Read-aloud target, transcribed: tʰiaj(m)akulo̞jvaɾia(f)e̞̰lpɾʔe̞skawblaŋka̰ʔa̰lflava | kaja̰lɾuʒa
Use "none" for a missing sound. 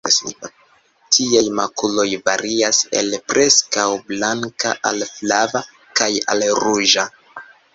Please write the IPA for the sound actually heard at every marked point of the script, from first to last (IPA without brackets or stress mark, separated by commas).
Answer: m, s